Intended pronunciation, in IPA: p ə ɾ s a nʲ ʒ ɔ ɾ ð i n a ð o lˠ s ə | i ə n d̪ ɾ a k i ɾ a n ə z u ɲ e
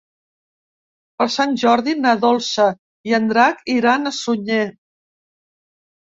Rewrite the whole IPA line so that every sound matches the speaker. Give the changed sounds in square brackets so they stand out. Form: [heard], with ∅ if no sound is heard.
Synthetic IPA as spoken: p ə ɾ s a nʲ ʒ ɔ ɾ ð i n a ð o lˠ s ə | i ə n d̪ ɾ a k i ɾ a n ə [s] u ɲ e